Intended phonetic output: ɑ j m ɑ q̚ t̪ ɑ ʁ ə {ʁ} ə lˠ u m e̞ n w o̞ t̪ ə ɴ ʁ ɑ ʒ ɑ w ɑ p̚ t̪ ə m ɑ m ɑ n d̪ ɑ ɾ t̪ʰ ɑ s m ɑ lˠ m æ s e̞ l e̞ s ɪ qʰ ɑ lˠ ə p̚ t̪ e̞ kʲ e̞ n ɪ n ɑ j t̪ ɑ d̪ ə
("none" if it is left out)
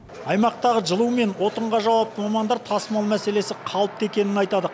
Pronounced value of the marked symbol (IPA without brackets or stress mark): ʒ